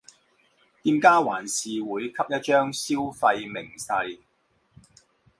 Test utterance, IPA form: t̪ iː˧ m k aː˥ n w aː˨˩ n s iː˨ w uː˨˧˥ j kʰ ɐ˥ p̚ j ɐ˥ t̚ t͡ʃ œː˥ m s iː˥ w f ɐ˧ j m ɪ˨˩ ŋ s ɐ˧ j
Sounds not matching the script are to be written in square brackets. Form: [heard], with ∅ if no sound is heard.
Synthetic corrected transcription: t̪ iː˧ m k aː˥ [∅] w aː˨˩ n s iː˨ w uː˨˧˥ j kʰ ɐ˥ p̚ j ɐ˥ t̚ t͡ʃ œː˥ [ŋ] s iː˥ w f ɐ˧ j m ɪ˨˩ ŋ s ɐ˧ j

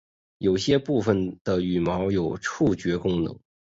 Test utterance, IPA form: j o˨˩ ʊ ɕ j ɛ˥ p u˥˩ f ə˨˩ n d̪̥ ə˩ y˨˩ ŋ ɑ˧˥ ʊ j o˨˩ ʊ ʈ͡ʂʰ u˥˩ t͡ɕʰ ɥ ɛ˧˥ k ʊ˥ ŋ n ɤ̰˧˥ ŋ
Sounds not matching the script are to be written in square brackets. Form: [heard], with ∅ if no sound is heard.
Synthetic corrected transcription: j o˨˩ ʊ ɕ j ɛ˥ p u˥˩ f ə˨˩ n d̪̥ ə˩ y˨˩ [m] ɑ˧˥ ʊ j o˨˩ ʊ ʈ͡ʂʰ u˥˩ [t͡ɕ] ɥ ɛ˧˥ k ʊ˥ ŋ n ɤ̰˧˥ ŋ

